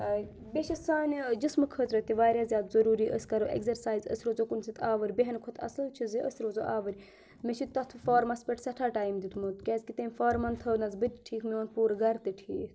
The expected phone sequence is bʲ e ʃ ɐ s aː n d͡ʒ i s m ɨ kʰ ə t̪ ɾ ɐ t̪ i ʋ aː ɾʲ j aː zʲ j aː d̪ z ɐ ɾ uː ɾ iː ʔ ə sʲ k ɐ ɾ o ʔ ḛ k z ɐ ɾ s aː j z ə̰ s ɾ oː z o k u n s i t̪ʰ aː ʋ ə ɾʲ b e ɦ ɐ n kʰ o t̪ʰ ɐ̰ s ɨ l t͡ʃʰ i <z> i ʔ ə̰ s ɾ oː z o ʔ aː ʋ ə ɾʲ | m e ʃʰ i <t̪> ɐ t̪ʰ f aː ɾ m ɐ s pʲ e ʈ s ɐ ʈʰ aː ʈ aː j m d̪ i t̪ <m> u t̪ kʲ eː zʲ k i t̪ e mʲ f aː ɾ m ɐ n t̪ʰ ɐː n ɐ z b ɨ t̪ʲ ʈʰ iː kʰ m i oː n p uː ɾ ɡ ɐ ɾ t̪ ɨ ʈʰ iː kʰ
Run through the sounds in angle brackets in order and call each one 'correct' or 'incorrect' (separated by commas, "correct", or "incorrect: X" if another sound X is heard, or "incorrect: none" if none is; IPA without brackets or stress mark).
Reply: correct, correct, correct